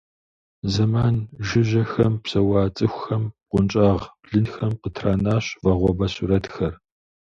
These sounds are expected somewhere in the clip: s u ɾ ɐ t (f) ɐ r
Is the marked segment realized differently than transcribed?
yes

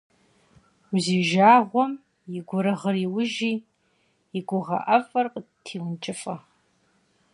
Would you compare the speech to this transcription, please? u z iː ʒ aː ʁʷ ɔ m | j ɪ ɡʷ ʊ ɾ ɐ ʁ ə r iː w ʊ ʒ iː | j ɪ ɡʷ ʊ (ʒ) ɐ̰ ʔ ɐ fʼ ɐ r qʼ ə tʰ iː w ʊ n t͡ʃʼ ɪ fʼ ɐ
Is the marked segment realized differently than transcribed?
yes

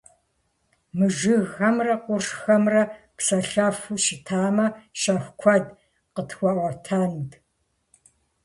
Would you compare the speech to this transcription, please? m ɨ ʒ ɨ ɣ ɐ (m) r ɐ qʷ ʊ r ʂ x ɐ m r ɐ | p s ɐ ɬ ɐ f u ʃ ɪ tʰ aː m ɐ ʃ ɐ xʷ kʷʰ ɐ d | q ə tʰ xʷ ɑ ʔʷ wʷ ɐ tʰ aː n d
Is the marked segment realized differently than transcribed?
no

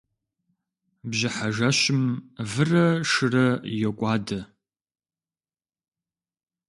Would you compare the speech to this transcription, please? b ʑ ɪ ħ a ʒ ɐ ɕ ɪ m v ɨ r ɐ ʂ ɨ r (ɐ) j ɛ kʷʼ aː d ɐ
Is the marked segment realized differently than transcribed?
no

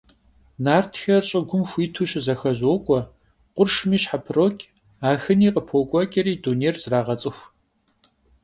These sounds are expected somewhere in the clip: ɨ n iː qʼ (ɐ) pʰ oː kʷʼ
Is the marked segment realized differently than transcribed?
yes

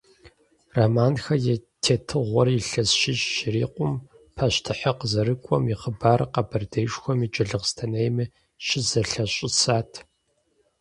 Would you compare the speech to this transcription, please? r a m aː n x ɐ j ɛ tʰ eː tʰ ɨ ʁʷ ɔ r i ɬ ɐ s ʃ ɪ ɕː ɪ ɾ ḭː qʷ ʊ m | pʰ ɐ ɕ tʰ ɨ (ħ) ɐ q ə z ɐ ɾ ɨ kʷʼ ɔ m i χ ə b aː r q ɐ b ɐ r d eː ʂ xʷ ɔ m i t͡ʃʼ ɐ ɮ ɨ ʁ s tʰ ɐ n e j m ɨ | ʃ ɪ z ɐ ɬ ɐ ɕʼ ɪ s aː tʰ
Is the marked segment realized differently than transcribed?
no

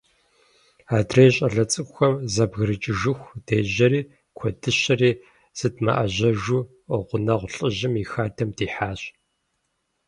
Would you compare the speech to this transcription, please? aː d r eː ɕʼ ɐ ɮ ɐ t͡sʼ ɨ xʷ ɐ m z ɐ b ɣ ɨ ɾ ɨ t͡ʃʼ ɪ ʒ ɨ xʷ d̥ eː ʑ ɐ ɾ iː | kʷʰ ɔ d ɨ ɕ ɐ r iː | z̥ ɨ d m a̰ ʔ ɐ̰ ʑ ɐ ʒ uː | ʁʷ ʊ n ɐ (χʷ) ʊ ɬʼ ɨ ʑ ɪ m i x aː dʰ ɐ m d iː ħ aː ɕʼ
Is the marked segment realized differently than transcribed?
yes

